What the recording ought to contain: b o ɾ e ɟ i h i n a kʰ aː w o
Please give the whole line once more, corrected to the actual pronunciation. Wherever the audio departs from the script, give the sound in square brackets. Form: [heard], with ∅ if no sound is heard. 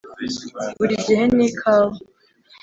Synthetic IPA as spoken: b [u] ɾ [i] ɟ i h [e] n [i] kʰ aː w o